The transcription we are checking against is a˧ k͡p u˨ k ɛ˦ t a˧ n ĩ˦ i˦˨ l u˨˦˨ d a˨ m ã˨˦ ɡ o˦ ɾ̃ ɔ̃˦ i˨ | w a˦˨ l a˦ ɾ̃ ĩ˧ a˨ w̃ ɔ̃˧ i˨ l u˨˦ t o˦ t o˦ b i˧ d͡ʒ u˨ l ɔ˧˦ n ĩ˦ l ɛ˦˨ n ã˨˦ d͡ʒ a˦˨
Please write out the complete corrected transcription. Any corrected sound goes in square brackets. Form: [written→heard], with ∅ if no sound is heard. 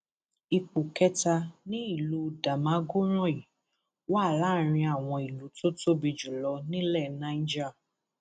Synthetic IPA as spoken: [a˧→i˧] k͡p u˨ k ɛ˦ t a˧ n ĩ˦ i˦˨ l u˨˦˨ d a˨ m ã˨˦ ɡ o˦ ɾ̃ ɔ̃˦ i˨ | w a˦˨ l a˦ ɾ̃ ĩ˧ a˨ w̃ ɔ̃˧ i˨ l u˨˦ t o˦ t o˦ b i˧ d͡ʒ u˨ l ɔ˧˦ n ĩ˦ l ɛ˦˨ n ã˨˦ d͡ʒ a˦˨